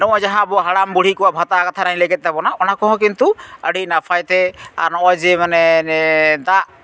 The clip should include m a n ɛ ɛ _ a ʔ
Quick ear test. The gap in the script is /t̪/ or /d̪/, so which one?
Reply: d̪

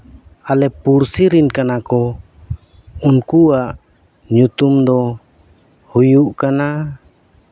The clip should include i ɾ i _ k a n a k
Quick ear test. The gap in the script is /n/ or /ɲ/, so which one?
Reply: n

